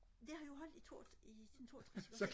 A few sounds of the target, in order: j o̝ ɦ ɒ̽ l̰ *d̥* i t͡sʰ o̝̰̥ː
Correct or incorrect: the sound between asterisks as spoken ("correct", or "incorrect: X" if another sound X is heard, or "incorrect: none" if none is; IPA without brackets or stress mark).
correct